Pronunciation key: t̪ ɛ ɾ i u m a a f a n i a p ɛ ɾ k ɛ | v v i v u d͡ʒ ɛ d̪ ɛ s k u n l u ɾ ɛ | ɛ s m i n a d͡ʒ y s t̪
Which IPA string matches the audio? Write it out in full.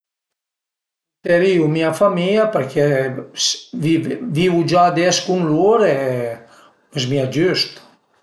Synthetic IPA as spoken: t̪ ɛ ɾ i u m i a f a m i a p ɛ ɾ k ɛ | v v i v u d͡ʒ a d̪ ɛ s k u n l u ɾ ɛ | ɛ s m i a d͡ʒ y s t̪